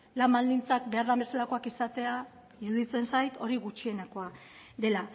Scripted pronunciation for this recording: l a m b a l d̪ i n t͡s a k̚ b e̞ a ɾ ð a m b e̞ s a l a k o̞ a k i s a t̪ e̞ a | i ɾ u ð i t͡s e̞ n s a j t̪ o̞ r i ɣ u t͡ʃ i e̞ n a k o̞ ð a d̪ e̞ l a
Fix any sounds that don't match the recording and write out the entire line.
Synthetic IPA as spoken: l a m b a l d̪ i n t͡s a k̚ b e̞ a ɾ ð a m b e̞ s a l a k o̞ a k i s a t̪ e̞ a | i ɾ u ð i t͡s e̞ n s a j t̪ o̞ ɾ i ɣ u t͡ʃ i e̞ n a k o̞ a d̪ e̞ l a